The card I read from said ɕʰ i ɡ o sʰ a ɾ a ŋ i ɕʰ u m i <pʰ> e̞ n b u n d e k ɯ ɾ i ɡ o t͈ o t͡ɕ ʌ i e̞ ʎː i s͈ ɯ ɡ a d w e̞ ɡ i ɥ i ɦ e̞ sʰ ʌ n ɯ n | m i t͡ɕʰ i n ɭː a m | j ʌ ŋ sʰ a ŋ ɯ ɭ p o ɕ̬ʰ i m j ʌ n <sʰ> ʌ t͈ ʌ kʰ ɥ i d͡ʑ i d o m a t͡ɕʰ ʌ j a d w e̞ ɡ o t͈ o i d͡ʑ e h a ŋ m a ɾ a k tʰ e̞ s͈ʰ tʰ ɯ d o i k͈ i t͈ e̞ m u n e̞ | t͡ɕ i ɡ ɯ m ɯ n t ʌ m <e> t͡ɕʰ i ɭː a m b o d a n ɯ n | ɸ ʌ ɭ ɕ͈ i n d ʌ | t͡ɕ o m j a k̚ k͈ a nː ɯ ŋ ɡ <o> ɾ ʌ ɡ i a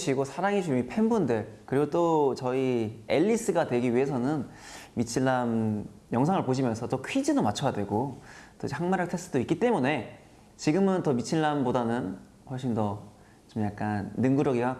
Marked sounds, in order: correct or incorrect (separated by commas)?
correct, correct, incorrect, incorrect